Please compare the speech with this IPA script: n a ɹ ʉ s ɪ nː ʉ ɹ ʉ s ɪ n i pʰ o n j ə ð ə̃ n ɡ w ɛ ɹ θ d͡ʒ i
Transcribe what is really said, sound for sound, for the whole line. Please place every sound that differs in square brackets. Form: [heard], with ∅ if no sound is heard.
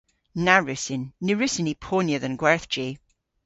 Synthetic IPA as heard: n a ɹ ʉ s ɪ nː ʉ ɹ ʉ s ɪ n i pʰ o n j ə ð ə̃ n ɡ w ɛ ɹ θ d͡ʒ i